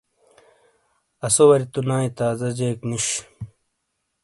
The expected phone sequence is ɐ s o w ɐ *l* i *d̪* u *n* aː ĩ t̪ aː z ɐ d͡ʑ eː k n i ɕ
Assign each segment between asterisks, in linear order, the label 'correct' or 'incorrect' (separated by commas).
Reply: incorrect, incorrect, correct